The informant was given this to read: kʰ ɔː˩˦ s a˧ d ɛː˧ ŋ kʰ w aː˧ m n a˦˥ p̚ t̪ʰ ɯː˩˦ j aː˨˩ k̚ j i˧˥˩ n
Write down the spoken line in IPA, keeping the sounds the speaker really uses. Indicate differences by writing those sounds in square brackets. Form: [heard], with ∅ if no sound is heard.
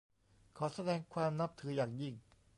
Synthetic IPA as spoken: kʰ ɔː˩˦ s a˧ d ɛː˧ ŋ kʰ w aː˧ m n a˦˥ p̚ t̪ʰ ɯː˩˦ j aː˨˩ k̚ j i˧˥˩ [ŋ]